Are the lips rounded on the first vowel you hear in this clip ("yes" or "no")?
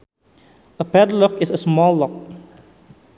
no